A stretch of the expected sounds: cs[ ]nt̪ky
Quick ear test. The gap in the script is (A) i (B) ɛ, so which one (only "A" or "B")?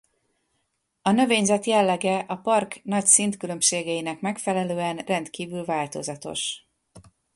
A